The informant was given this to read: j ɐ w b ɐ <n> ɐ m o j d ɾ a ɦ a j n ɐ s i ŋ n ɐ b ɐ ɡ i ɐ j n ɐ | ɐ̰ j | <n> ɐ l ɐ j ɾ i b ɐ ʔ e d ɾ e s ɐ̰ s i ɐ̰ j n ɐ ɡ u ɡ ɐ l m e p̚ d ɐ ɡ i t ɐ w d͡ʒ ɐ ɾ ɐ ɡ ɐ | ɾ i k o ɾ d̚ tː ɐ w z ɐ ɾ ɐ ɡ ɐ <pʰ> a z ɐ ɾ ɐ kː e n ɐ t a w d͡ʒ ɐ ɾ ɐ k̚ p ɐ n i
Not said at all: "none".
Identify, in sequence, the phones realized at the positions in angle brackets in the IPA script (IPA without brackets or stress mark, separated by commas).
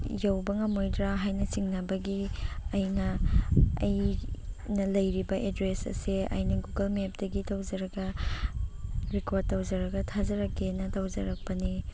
ŋ, n, tʰ